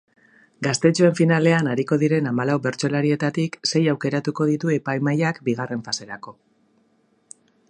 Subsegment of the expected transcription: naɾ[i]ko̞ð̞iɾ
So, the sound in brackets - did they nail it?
yes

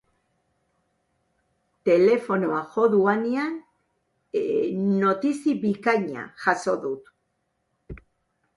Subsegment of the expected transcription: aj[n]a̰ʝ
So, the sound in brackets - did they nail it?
no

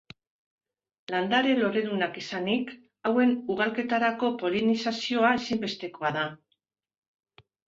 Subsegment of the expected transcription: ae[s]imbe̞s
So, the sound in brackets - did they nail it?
yes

